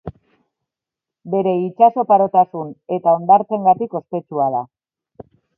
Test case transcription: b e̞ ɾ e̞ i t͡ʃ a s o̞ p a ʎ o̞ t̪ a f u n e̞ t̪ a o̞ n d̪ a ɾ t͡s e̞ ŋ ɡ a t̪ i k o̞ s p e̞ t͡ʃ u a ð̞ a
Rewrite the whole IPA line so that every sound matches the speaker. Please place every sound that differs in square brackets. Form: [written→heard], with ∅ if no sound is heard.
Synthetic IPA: b e̞ ɾ e̞ i t͡ʃ a s o̞ p a [ʎ→ɾ] o̞ t̪ a [f→s] u n e̞ t̪ a o̞ n d̪ a ɾ t͡s e̞ ŋ ɡ a t̪ i k o̞ s p e̞ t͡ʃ u a ð̞ a